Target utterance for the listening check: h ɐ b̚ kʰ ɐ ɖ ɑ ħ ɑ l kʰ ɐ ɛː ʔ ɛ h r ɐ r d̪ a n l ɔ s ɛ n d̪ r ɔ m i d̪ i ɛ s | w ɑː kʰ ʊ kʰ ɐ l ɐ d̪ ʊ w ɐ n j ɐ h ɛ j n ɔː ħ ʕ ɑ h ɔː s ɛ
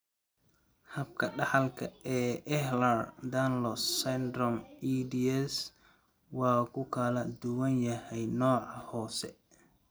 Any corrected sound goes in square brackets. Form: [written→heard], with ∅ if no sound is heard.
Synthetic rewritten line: h ɐ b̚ kʰ ɐ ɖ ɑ ħ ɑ l kʰ ɐ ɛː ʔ ɛ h [r→l] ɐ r d̪ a n l ɔ s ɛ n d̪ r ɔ m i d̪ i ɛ s | w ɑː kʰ ʊ kʰ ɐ l ɐ d̪ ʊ w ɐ n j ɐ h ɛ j n ɔː [ħ→∅] ʕ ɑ h ɔː s ɛ